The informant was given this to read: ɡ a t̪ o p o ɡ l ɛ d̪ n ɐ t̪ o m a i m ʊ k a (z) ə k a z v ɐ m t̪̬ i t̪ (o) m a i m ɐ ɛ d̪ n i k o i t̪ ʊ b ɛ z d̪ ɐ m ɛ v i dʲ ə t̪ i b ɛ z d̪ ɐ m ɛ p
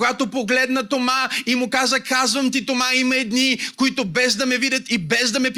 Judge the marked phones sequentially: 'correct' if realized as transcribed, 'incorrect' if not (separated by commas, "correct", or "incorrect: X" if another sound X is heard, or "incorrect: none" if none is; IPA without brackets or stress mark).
correct, correct